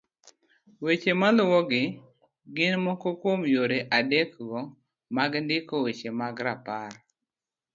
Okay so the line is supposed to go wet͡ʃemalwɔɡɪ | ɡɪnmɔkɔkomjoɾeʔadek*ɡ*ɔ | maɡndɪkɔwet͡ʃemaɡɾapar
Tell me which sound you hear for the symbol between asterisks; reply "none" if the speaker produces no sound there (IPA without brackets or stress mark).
ɡ